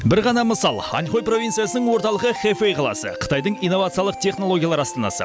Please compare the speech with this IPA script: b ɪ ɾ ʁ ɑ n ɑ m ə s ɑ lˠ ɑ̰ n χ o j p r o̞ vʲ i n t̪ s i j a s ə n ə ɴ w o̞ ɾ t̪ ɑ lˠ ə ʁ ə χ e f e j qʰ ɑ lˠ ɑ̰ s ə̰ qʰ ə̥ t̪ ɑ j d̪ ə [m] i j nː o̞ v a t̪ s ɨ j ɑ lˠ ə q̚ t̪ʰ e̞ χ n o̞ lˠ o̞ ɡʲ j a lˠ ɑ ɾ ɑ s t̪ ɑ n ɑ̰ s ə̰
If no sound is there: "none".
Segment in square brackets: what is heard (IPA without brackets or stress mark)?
ɴ